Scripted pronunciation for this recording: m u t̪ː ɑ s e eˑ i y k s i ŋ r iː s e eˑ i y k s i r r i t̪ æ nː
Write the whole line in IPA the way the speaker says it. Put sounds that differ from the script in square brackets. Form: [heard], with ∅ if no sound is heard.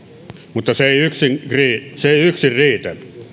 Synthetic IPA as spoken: m u t̪ː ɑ s e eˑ i y k s i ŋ r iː s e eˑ i y k s i r r [iː] t̪ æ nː